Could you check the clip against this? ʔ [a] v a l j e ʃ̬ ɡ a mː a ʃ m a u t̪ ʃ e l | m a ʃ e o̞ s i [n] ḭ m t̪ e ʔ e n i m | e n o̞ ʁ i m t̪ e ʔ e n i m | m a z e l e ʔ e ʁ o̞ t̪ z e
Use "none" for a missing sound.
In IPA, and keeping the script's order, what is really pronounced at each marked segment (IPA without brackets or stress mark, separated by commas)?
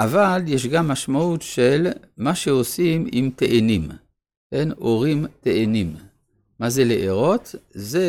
a, m